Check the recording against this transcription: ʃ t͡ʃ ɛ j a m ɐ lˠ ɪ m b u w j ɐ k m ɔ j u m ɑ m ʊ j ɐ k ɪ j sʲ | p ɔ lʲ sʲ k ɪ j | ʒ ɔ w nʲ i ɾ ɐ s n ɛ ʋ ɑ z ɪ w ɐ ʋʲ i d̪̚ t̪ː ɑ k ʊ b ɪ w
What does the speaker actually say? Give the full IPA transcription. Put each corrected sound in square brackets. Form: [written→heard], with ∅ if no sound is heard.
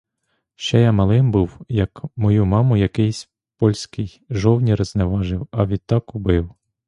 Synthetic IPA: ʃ t͡ʃ ɛ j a m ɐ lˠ ɪ m b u w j ɐ k m ɔ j u m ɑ m ʊ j ɐ k ɪ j sʲ | p ɔ lʲ sʲ k ɪ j | ʒ ɔ w nʲ i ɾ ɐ [s→z] n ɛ ʋ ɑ [z→ʒ] ɪ w ɐ ʋʲ i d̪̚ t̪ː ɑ k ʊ b ɪ w